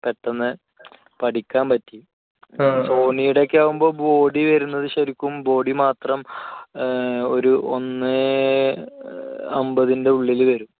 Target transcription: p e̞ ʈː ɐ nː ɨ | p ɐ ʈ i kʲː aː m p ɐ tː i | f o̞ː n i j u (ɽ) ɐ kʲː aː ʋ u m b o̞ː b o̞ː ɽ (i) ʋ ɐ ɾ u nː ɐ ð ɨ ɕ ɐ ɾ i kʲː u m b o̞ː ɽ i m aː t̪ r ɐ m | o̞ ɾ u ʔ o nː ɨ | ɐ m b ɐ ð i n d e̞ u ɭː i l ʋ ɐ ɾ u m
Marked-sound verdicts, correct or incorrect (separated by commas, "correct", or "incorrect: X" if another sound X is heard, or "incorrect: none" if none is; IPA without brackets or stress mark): correct, correct